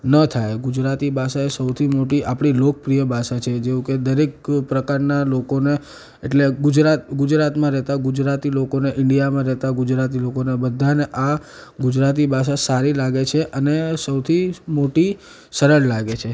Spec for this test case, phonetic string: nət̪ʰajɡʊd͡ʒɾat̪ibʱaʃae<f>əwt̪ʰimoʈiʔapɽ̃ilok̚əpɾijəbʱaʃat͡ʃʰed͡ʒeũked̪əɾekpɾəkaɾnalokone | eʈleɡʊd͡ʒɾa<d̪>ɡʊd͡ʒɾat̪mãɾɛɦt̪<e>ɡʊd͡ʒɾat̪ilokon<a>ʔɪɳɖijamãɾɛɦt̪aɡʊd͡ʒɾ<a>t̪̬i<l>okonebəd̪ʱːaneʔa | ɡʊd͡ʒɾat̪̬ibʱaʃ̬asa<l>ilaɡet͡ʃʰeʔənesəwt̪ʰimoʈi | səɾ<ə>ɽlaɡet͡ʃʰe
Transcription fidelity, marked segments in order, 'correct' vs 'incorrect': incorrect, incorrect, incorrect, incorrect, correct, correct, incorrect, correct

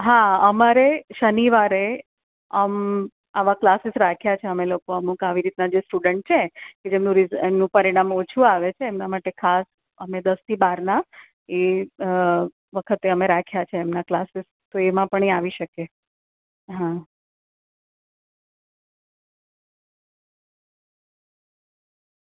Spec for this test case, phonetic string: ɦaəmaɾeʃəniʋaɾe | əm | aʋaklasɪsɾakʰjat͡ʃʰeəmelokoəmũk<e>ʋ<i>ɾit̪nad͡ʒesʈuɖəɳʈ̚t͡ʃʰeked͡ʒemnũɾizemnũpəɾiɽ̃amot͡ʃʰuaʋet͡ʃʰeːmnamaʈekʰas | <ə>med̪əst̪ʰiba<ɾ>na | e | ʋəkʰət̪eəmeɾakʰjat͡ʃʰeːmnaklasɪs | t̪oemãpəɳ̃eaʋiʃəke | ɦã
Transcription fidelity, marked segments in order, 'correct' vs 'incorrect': incorrect, correct, correct, correct

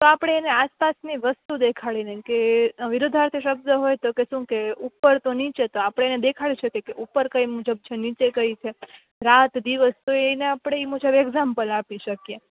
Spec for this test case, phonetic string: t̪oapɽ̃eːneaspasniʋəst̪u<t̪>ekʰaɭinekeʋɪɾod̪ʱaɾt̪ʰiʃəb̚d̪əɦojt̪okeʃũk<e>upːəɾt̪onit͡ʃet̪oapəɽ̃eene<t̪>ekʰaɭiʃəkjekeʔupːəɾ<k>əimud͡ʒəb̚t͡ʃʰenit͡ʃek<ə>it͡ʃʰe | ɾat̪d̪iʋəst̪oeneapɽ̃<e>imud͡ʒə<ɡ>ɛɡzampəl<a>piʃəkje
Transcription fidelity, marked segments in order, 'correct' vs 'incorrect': incorrect, correct, incorrect, correct, correct, correct, incorrect, correct

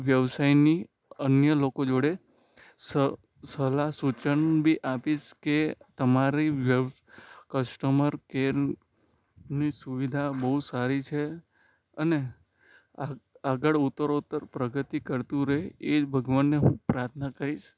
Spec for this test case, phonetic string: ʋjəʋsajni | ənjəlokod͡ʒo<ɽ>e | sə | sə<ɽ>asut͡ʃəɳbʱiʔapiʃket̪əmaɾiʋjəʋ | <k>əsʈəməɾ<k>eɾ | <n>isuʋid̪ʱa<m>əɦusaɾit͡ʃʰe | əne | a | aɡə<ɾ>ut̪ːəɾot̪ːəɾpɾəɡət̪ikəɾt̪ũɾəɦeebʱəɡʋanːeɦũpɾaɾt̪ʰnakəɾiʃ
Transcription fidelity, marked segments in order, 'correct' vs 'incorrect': correct, incorrect, correct, correct, correct, incorrect, incorrect

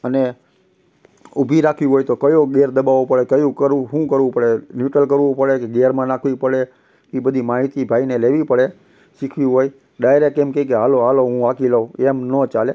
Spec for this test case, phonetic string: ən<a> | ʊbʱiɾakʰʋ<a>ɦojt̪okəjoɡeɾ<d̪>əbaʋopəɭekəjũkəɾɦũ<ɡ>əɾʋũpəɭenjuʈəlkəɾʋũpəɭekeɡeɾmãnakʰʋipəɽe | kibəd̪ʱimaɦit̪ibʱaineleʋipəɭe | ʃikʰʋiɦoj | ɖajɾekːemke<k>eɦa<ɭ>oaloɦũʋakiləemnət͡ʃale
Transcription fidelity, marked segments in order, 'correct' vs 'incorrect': incorrect, incorrect, correct, incorrect, correct, incorrect

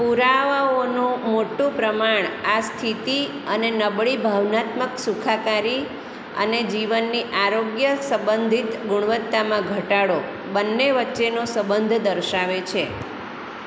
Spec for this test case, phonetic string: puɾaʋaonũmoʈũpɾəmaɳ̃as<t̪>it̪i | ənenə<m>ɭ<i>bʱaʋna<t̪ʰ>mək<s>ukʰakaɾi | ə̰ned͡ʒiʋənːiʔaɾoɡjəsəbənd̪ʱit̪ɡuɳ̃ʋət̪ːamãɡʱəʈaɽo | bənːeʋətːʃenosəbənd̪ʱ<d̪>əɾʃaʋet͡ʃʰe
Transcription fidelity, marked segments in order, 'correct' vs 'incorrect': incorrect, incorrect, correct, incorrect, correct, correct

